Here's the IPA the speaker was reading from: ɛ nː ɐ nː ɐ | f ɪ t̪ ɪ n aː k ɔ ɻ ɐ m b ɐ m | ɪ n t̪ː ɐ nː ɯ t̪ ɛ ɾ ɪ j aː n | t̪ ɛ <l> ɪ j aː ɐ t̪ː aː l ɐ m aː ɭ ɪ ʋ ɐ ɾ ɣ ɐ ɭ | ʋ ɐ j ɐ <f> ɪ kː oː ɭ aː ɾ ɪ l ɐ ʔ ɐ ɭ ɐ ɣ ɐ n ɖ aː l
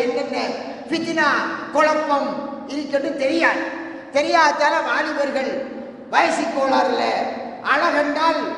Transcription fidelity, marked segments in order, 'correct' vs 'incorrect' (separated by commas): incorrect, incorrect